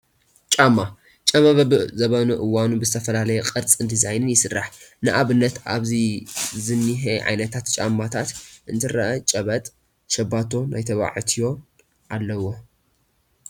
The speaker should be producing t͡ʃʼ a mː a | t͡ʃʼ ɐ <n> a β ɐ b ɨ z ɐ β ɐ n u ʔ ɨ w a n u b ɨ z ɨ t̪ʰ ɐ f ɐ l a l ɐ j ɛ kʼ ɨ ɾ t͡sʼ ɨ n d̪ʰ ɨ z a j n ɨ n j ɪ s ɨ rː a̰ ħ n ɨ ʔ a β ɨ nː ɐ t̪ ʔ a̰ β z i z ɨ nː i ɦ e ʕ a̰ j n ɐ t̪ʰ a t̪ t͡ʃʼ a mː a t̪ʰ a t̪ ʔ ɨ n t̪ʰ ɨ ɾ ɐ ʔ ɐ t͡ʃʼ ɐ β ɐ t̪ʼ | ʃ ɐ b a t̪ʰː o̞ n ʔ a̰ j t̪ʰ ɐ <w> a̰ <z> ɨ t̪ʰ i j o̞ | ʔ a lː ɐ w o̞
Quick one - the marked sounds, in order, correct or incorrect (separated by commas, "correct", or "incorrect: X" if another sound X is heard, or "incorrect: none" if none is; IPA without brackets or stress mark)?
incorrect: m, incorrect: β, incorrect: ʕ